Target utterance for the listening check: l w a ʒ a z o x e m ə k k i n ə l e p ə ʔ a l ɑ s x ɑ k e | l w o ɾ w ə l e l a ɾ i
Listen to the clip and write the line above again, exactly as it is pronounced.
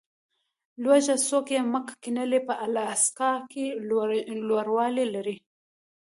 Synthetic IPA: l w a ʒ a s o k e m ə k k i n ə l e p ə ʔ a l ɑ s k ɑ k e | l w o ɾ w ɑ l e l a ɾ i